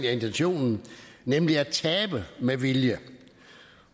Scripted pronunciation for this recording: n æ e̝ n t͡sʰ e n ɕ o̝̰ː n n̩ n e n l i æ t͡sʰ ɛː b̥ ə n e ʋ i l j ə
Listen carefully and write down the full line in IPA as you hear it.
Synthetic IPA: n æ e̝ n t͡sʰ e n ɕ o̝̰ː n n̩ n e m l i æ t͡sʰ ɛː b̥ ə m e ʋ i l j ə